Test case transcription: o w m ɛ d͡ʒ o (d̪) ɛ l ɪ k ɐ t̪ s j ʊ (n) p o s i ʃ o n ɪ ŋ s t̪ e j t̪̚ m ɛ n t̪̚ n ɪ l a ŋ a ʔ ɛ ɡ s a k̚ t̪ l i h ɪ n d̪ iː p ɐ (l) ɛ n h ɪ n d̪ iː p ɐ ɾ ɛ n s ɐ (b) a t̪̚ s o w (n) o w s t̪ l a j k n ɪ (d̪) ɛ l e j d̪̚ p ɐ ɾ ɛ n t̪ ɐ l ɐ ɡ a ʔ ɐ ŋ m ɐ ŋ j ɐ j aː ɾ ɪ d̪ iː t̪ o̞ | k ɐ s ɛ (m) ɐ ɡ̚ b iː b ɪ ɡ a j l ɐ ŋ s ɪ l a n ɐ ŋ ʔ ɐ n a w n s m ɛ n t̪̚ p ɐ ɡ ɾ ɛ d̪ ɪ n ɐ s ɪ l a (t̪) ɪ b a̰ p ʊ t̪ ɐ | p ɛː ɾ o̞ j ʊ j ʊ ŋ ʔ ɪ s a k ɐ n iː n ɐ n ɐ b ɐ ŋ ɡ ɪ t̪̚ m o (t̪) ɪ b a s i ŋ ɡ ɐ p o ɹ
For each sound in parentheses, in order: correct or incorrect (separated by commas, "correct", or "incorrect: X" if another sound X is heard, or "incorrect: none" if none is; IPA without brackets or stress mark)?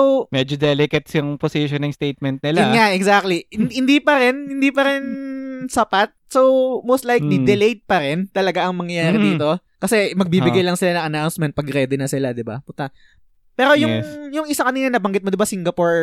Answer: correct, incorrect: ŋ, incorrect: ɾ, incorrect: p, incorrect: m, correct, correct, incorrect: d̪, incorrect: d̪